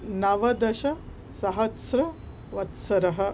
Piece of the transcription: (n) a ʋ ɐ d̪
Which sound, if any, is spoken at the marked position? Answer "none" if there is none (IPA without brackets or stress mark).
n